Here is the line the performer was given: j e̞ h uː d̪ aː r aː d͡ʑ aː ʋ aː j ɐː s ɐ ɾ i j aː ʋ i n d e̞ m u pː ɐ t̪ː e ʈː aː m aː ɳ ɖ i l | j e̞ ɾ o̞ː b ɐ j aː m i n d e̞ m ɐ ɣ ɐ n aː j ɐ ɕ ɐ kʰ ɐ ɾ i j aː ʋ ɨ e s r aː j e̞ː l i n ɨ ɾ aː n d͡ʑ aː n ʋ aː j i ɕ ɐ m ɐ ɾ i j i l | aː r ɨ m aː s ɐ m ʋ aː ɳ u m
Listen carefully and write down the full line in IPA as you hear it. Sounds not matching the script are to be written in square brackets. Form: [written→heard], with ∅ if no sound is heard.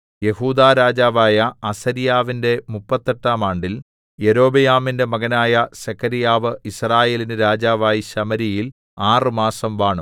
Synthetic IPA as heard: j e̞ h uː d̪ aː [r→ɾ] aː d͡ʑ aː ʋ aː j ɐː s ɐ ɾ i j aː ʋ i n d e̞ m u pː ɐ t̪ː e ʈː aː m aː ɳ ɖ i l | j e̞ ɾ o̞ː b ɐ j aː m i n d e̞ m ɐ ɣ ɐ n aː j ɐ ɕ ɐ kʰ ɐ ɾ i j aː ʋ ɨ [e→i] s r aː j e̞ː l i n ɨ ɾ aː [n→∅] d͡ʑ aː [n→∅] ʋ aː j i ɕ ɐ m ɐ ɾ i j i l | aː r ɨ m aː s ɐ m ʋ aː ɳ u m